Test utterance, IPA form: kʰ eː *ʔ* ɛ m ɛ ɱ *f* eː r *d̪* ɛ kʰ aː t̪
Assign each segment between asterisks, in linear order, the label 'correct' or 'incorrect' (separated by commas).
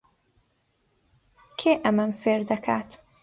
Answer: correct, correct, correct